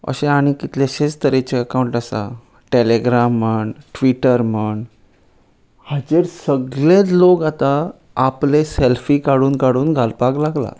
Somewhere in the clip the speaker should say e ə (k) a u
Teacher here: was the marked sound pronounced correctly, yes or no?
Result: yes